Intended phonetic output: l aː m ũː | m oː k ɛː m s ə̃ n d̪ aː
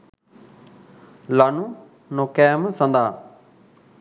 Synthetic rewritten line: l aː n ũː | n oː k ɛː m s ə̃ n d̪ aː